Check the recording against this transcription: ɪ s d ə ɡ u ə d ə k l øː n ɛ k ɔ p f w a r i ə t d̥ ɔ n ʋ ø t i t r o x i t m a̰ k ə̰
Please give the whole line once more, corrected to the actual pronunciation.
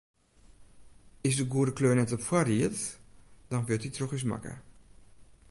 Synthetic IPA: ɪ s d ə ɡ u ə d ə k l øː n ɛ t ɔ p f w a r i ə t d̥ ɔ n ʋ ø t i t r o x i s m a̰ k ə̰